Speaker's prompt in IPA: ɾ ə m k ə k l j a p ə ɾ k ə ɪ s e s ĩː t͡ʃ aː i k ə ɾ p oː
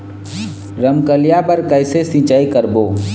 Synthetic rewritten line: ɾ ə m k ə l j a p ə ɾ k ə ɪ s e s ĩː t͡ʃ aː i k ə ɾ b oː